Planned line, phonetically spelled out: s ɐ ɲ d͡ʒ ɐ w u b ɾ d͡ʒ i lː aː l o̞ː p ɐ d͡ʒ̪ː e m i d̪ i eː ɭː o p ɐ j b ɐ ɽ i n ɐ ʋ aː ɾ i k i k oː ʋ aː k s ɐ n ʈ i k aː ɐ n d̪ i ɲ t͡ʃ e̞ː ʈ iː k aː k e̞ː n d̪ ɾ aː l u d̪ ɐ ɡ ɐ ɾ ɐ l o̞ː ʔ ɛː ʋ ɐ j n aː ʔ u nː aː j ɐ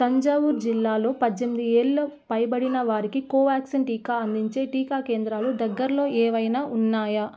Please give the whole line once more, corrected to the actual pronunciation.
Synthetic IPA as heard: s ɐ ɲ d͡ʒ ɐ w u ɾ d͡ʒ i lː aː l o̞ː p ɐ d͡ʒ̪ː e m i d̪ i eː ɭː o p ɐ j b ɐ ɽ i n ɐ ʋ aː ɾ i k i k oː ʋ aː k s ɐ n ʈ iː k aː ɐ n d̪ i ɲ t͡ʃ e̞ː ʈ iː k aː k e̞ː n d̪ ɾ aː l u d̪ ɐ ɡː ɐ ɾ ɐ l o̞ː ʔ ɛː ʋ ɐ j n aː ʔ u nː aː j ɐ

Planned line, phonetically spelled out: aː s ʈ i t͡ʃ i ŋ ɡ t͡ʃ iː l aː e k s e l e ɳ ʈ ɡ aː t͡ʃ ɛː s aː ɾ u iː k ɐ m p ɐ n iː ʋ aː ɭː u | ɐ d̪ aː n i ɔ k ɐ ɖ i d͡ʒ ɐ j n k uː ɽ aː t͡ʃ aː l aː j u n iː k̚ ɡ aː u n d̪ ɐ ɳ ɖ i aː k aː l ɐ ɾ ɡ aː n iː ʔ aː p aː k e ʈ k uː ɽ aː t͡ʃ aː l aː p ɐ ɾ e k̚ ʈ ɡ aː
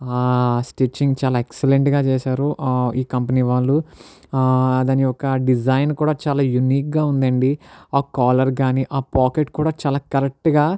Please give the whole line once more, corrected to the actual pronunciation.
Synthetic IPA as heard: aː s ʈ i t͡ʃ i ŋ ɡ t͡ʃ aː l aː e k s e l e ɳ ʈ ɡ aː t͡ʃ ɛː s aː ɾ u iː k ɐ m p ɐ n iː ʋ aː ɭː u | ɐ d̪ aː n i ɔ k ɐ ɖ i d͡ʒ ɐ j n k uː ɽ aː t͡ʃ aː l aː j u n iː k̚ ɡ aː u n d̪ ɐ ɳ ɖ i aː k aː l ɐ ɾ ɡ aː n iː ʔ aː p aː k e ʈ k uː ɽ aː t͡ʃ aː l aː k ɐ ɾ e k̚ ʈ ɡ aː

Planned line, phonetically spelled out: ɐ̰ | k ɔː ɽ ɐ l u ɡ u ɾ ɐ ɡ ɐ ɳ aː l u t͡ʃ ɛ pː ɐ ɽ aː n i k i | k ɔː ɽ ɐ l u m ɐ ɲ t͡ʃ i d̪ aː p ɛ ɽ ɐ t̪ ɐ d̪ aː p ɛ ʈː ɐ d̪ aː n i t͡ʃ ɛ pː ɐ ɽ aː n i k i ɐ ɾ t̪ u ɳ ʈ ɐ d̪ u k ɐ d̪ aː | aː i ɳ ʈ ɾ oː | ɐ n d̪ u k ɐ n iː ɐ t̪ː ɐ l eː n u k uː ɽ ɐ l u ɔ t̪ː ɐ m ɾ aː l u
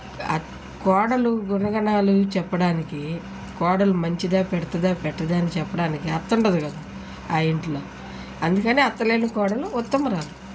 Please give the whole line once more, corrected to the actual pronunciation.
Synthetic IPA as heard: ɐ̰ | k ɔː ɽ ɐ l u ɡ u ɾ ɐ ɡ ɐ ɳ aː l u t͡ʃ ɛ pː ɐ ɽ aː n i k i | k ɔː ɽ ɐ l u m ɐ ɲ t͡ʃ i d̪ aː p ɛ ɽ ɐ t̪ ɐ d̪ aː p ɛ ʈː ɐ d̪ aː n i t͡ʃ ɛ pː ɐ ɽ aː n i k i ɐ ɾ t̪ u ɳ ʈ ɐ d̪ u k ɐ d̪ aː | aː i ɳ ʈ l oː | ɐ n d̪ u k ɐ n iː ɐ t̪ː ɐ l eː n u k ɔː ɽ ɐ l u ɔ t̪ː ɐ m ɾ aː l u

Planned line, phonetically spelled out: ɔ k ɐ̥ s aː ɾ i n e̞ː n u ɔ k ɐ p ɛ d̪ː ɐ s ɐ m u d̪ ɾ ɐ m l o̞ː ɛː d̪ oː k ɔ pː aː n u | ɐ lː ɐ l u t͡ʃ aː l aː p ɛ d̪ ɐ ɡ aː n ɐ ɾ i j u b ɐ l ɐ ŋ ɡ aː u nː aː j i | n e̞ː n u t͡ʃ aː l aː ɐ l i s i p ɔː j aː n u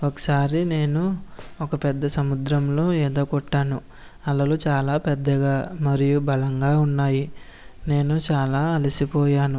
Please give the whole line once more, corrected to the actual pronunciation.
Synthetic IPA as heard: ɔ k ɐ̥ s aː ɾ i n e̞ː n u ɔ k ɐ p ɛ d̪ː ɐ s ɐ m u d̪ ɾ ɐ m l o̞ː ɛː d̪ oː k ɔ ʈː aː n u | ɐ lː ɐ l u t͡ʃ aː l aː p ɛ d̪ː ɐ ɡ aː m ɐ ɾ i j u b ɐ l ɐ ŋ ɡ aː u nː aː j i | n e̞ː n u t͡ʃ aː l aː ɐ l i s i p ɔː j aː n u

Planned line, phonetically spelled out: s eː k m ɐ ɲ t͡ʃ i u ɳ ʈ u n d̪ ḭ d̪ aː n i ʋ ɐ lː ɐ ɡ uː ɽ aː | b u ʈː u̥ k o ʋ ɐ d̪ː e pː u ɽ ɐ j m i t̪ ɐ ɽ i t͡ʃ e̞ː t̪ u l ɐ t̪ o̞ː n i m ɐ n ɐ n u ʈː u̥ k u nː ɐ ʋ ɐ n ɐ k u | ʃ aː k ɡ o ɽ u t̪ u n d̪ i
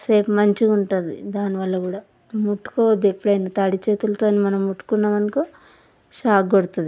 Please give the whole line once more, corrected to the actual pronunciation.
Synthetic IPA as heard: s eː p m ɐ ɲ t͡ʃ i u ɳ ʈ u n d̪ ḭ d̪ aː n i ʋ ɐ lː ɐ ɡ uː ɽ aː | m u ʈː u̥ k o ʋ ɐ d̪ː e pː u ɽ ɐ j n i t̪ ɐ ɽ i t͡ʃ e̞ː t̪ u l ɐ t̪ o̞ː n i m ɐ n ɐ m u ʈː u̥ k u nː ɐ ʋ ɐ n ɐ k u | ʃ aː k ɡ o ɽ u t̪ u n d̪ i

